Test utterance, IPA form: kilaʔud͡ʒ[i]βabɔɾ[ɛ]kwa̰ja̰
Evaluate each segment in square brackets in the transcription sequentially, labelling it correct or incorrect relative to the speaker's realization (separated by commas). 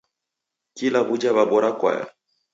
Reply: incorrect, incorrect